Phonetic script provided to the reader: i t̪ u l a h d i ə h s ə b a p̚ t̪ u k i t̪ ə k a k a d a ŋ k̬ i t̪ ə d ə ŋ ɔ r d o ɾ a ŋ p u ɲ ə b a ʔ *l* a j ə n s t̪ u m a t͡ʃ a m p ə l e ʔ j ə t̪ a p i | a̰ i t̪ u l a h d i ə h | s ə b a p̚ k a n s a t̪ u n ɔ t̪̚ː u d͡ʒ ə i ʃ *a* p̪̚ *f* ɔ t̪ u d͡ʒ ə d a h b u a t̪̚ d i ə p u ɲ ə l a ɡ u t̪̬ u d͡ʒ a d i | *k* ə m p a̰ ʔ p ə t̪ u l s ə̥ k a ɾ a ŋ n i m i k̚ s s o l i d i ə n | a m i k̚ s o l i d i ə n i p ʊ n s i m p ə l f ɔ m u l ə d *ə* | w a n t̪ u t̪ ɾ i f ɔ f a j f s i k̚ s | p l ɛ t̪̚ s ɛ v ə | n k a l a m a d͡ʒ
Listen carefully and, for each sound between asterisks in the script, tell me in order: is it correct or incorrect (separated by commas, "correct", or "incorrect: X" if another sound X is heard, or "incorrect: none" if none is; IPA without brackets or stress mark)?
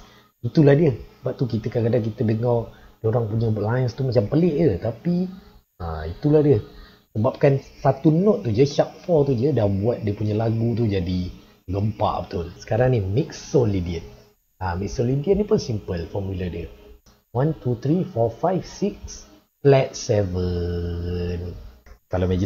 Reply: correct, correct, correct, incorrect: ɡ, correct